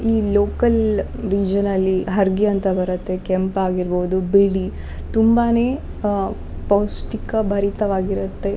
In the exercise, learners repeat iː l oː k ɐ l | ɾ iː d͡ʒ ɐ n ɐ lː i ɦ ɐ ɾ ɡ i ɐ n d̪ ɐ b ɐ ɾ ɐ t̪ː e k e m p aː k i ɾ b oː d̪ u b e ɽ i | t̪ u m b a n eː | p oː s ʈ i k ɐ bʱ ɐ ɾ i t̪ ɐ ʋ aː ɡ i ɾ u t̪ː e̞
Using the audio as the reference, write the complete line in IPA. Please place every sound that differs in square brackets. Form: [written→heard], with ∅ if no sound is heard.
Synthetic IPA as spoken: iː l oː k ɐ l | ɾ iː d͡ʒ ɐ n ɐ lː i ɦ ɐ ɾ ɡ i ɐ n [d̪→t̪] ɐ b ɐ ɾ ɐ t̪ː e k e m p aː [k→ɡ] i ɾ b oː d̪ u b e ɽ i | t̪ u m b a n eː | p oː s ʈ i k ɐ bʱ ɐ ɾ i t̪ ɐ ʋ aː ɡ i ɾ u t̪ː e̞